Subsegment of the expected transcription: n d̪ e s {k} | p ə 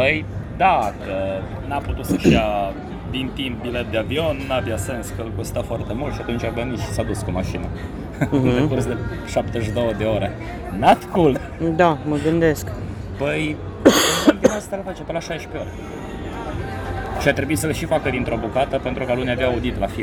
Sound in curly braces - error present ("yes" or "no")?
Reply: no